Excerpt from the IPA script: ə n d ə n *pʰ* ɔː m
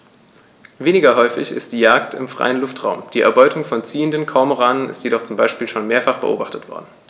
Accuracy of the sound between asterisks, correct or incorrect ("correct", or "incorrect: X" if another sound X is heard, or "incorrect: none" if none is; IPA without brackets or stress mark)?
incorrect: kʰ